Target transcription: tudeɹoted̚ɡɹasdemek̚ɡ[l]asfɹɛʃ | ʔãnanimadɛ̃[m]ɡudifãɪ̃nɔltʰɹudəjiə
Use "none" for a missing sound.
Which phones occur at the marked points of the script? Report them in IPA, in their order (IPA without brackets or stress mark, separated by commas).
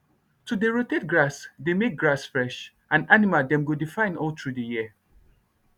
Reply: ɹ, m